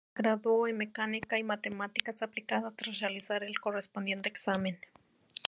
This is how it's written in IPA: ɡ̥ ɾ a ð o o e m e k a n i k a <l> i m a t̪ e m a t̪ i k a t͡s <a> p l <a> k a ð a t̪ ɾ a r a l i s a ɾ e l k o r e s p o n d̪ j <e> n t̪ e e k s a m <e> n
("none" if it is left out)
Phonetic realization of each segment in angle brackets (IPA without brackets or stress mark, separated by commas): none, a, i, e, e